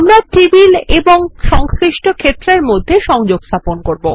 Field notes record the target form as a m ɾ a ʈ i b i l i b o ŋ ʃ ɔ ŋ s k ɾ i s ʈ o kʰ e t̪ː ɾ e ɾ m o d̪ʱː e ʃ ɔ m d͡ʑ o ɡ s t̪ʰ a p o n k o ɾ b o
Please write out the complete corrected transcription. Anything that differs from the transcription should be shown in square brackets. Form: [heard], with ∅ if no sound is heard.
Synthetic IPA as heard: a m ɾ a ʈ i b i l [e] b o ŋ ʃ ɔ ŋ s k ɾ i [ʃ] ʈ o kʰ e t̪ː ɾ e ɾ m o d̪ʱː e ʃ ɔ [ŋ] d͡ʑ o ɡ s t̪ʰ a p o n k o ɾ b o